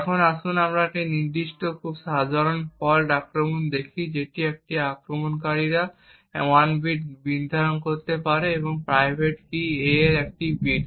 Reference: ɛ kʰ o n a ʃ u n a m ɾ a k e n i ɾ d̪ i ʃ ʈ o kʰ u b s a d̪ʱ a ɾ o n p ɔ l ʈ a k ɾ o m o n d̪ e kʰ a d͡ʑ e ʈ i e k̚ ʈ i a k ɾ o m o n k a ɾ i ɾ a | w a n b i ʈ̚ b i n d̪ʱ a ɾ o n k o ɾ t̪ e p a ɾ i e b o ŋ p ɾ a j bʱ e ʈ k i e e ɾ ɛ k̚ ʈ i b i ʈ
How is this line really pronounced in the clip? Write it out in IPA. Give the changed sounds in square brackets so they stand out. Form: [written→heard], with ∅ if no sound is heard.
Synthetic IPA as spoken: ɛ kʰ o n a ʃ u n a m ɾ a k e n i ɾ d̪ i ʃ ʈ o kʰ u b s a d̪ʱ a ɾ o n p ɔ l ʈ a k ɾ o m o n d̪ e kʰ [a→i] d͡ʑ e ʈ i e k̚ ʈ i a k ɾ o m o n k a ɾ i ɾ a | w a n b i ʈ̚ b i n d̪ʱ a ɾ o n k o ɾ t̪ e p a ɾ [i→e] e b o ŋ p ɾ a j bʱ e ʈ k i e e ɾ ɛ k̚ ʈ i b i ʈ